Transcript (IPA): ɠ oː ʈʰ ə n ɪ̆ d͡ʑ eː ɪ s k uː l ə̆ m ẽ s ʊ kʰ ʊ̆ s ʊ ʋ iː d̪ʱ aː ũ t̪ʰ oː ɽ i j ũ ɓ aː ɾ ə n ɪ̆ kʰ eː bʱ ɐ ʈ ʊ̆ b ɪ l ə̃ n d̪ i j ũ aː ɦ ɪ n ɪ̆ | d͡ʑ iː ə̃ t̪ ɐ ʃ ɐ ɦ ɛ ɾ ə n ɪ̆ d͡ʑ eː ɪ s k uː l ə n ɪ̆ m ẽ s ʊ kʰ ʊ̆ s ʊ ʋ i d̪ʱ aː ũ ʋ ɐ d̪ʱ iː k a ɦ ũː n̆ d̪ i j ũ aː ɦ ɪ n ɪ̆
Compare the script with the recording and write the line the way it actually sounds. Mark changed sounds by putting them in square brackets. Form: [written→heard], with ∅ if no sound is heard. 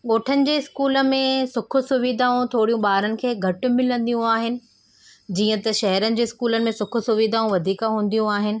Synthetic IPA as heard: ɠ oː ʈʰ ə n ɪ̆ d͡ʑ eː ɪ s k uː l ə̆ m ẽ s ʊ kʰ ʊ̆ s ʊ ʋ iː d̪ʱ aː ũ t̪ʰ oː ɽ i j ũ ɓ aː ɾ ə n ɪ̆ kʰ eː [bʱ→ɡʱ] ɐ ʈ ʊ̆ [b→m] ɪ l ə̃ n d̪ i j ũ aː ɦ ɪ n ɪ̆ | d͡ʑ iː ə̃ t̪ ɐ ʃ ɐ ɦ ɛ ɾ ə n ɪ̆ d͡ʑ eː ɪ s k uː l ə n ɪ̆ m ẽ s ʊ kʰ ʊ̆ s ʊ ʋ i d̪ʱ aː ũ ʋ ɐ d̪ʱ iː k a ɦ ũː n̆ d̪ i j ũ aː ɦ ɪ n ɪ̆

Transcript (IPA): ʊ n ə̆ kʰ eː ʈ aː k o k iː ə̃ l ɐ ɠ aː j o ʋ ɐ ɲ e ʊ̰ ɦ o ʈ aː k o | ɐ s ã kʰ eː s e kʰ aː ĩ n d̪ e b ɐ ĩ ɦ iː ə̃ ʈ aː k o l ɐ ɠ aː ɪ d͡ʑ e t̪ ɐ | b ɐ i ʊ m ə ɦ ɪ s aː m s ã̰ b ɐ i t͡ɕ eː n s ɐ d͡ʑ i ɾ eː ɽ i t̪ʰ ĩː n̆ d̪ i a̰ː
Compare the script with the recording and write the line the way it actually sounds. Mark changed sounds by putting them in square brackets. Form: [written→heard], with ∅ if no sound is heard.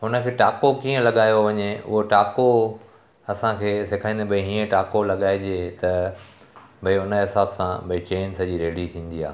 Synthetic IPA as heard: ʊ n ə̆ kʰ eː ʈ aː k o k iː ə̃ l ɐ ɠ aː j o ʋ ɐ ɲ e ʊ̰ ɦ o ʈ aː k o | ɐ s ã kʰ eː s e kʰ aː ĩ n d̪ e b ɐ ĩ ɦ iː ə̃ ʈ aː k o l ɐ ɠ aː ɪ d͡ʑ e t̪ ɐ | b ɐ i ʊ [m→n] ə ɦ ɪ s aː [m→b] s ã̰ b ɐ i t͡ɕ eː n s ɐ d͡ʑ i ɾ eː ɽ i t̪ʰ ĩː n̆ d̪ i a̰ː

